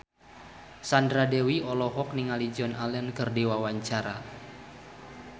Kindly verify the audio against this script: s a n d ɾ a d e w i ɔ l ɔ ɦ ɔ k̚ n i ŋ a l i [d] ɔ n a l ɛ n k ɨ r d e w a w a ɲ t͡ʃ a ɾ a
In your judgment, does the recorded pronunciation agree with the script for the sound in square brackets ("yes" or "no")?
no